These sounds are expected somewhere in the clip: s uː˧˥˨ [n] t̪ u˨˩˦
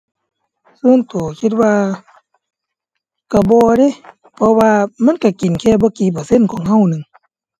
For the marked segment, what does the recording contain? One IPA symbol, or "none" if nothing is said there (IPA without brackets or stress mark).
n